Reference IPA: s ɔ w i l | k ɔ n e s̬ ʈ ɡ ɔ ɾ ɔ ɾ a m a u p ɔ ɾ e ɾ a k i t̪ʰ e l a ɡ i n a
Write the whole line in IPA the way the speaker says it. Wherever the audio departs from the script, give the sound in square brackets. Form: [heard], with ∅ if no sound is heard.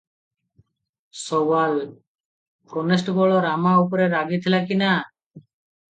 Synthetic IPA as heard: s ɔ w [a] l | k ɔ n e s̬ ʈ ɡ ɔ [ɭ] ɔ ɾ a m a u p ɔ ɾ e ɾ a [ɡ] i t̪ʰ [i] l a [k] i n a